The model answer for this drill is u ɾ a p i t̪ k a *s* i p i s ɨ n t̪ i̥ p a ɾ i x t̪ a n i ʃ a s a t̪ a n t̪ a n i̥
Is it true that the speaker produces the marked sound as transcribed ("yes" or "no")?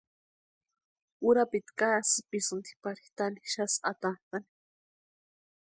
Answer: yes